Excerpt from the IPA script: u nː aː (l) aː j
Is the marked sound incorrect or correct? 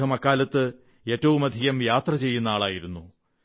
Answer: incorrect